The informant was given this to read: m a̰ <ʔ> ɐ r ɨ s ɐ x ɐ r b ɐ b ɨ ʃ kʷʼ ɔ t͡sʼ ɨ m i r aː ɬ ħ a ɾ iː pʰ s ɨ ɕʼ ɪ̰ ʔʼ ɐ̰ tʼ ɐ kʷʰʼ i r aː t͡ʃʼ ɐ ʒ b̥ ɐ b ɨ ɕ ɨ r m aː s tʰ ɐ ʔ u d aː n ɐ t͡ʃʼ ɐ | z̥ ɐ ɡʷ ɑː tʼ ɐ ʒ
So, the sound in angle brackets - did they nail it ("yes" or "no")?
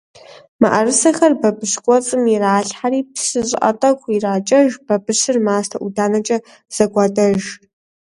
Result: yes